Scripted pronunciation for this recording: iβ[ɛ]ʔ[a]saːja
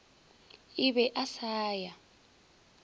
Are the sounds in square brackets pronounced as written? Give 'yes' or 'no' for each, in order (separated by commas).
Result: yes, yes